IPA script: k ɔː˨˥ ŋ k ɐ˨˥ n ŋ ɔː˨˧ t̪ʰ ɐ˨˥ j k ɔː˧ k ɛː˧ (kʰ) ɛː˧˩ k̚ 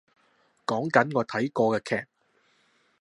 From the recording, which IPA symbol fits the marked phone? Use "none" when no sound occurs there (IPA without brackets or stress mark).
kʰ